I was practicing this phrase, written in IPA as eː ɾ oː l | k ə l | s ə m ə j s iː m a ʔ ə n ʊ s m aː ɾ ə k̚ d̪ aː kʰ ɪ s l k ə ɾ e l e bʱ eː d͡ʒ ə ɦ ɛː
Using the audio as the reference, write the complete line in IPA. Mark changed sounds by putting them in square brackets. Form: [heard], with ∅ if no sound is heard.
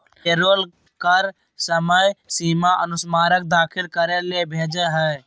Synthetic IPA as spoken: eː ɾ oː l | k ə [ɾ] | s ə m ə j s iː m a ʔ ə n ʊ s m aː ɾ ə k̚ d̪ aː kʰ ɪ [∅] l k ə ɾ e l e bʱ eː d͡ʒ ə ɦ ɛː